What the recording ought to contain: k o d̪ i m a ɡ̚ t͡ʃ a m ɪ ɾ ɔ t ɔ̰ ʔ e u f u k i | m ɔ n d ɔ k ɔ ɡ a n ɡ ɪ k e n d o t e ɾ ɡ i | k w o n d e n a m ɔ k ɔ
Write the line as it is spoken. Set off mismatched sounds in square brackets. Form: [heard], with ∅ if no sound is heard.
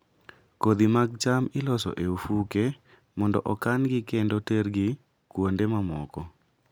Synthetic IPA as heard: k o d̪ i m a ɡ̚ t͡ʃ a m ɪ [l] ɔ [s] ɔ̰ ʔ e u f u k [e] | m ɔ n d ɔ [ʔ] ɔ [k] a n ɡ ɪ k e n d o t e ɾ ɡ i | k w o n d e [m] a m ɔ k ɔ